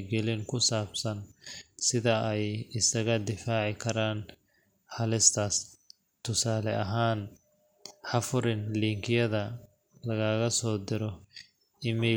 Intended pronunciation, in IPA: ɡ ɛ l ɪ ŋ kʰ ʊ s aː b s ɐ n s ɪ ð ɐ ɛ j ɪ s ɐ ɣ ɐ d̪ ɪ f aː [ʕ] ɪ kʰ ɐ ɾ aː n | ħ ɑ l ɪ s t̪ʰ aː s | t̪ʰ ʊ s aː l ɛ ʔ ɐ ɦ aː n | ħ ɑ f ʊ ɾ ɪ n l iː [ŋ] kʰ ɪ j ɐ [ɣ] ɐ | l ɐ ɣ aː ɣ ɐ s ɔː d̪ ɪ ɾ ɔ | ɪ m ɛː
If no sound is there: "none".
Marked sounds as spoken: ʕ, ŋ, ð

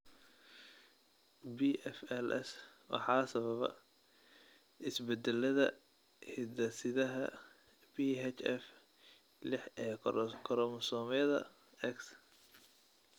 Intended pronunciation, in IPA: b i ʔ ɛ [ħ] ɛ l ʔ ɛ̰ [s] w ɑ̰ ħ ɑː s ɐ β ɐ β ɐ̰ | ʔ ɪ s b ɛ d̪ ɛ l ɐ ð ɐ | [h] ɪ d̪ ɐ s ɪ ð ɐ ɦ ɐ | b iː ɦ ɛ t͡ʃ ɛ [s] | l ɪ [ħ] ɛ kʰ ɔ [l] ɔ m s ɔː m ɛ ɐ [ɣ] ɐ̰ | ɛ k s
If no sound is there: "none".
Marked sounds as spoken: f, s, h, f, ħ, ɾ, ð

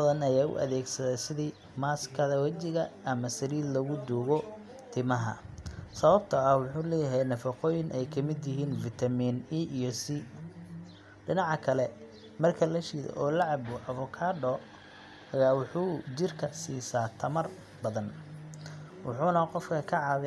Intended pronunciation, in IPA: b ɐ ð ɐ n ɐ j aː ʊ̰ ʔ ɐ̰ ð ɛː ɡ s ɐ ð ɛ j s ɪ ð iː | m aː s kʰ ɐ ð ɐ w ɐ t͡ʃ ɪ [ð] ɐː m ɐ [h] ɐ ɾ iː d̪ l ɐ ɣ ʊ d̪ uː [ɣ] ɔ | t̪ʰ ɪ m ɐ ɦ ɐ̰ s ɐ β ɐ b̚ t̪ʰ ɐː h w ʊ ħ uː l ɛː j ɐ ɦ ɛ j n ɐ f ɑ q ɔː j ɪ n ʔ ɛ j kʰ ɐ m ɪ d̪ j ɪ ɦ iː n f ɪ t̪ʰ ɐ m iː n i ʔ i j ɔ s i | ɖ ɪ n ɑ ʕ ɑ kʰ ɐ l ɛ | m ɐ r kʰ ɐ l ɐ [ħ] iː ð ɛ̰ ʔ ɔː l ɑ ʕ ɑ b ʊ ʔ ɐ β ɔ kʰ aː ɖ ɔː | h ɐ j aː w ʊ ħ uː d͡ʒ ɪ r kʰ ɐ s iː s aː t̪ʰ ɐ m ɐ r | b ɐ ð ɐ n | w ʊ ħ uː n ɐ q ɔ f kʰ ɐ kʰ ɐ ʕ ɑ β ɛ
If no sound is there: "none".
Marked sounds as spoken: ɣ, s, ɣ, ʃ

